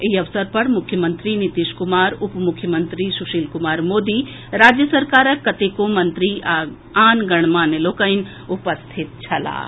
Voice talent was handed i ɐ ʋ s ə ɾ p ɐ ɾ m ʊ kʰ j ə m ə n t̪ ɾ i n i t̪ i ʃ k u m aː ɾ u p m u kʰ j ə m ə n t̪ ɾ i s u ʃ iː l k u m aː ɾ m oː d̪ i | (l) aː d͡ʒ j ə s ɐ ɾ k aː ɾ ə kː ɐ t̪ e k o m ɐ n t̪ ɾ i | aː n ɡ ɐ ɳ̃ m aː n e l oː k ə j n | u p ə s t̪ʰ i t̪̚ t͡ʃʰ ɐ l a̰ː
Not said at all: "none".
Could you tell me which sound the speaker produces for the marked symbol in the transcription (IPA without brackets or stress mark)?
ɾ